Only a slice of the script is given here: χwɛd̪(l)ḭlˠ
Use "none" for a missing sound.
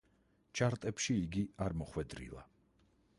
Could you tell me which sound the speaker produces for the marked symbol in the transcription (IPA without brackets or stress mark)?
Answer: ɾ